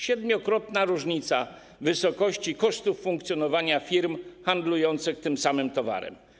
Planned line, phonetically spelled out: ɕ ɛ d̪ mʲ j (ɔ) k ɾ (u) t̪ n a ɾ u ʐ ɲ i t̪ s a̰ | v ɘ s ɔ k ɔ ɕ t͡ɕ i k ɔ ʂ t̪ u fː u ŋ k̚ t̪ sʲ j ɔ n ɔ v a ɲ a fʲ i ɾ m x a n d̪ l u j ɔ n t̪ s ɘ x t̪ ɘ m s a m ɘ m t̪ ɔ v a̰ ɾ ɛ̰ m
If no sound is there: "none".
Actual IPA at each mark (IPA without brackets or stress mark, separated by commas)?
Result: ɔ, ɔ